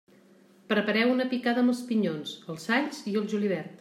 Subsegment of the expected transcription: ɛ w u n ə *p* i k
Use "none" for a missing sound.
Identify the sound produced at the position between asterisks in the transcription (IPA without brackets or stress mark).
p